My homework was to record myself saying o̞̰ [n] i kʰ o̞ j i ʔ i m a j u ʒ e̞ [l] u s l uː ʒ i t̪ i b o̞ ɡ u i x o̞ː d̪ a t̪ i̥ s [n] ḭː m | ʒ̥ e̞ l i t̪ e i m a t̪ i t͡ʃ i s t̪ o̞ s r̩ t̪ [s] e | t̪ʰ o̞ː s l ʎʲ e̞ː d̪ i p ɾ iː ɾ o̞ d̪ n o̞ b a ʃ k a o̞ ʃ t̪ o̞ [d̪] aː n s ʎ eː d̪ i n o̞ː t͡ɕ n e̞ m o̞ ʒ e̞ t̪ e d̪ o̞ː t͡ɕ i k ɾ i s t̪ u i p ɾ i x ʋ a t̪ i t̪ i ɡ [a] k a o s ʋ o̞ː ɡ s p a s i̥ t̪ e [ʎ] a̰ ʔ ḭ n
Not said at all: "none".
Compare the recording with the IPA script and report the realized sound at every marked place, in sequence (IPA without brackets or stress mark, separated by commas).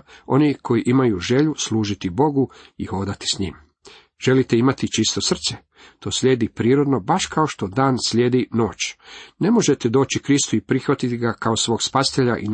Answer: n, ʎ, ɲ, s, d̪, a, ʎ